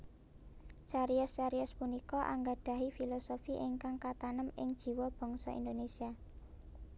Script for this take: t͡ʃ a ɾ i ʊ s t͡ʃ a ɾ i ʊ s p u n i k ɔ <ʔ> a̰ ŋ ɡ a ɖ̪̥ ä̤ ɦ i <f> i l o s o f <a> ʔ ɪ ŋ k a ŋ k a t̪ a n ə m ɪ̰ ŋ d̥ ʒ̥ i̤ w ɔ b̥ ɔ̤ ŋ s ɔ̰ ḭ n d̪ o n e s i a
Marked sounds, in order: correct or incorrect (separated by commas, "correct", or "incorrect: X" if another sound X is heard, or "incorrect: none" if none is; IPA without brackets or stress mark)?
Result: correct, correct, incorrect: i